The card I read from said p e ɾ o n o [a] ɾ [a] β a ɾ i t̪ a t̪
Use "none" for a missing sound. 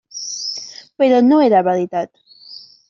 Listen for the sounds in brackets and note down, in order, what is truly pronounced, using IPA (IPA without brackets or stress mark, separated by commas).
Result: e, a